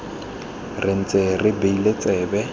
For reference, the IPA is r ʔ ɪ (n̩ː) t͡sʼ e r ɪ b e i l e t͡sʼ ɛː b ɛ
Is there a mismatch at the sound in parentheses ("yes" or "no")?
yes